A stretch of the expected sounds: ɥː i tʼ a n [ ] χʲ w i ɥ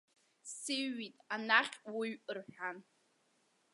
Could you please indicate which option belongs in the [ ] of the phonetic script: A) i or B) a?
B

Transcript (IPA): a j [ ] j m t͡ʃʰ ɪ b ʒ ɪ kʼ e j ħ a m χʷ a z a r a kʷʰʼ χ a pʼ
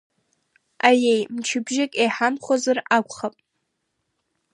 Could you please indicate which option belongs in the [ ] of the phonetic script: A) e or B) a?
A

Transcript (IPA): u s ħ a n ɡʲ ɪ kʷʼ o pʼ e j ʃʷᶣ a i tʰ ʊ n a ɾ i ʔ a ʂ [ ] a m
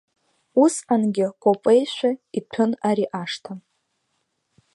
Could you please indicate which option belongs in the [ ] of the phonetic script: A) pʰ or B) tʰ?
B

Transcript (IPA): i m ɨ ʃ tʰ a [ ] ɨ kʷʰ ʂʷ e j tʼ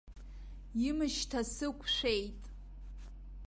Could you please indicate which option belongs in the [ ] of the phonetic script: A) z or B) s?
B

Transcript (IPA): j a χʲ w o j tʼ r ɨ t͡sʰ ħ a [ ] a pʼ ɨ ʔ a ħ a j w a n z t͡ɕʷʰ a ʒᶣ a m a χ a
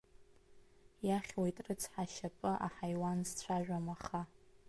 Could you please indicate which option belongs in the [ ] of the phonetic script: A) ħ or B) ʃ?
B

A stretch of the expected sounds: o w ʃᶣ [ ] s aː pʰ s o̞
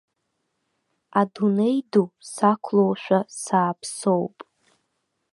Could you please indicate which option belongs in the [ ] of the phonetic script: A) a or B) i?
A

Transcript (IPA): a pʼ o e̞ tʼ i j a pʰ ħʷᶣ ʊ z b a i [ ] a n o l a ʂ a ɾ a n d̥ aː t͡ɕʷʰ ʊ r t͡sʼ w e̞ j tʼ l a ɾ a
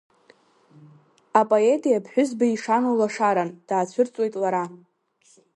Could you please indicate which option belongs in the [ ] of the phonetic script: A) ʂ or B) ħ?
A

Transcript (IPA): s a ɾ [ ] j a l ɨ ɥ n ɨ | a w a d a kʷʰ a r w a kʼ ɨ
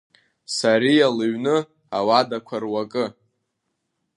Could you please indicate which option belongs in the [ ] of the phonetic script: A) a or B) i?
B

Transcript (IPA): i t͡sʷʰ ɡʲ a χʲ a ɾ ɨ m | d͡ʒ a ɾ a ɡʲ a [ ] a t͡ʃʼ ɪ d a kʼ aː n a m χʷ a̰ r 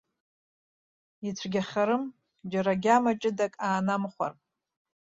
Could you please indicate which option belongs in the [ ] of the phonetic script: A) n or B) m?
B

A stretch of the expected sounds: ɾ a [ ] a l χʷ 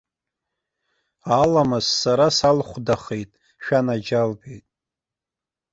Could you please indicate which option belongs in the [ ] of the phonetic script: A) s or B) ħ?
A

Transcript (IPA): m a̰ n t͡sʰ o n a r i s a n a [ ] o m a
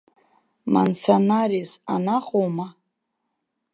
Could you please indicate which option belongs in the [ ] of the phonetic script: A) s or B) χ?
B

